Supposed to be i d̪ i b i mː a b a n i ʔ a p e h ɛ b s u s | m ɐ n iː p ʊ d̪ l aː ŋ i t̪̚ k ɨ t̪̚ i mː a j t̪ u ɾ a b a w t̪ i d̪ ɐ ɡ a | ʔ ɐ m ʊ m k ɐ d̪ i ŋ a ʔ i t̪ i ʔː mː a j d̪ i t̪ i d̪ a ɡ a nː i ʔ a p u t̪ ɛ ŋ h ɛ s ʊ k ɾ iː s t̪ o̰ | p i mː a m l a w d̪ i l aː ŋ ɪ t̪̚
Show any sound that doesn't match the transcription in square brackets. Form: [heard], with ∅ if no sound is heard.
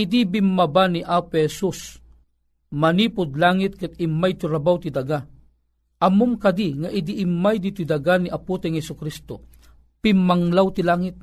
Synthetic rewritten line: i d̪ i b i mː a b a n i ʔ a p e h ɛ [∅] s u s | m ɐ n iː p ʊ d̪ l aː ŋ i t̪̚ k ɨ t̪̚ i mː a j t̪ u ɾ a b a w t̪ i d̪ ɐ ɡ a | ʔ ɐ m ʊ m k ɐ d̪ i ŋ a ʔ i [d̪] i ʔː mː a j d̪ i t̪ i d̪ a ɡ a [n] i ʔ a p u t̪ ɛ ŋ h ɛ s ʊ k ɾ [i] s t̪ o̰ | p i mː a [ŋ] l a w [t̪] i l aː ŋ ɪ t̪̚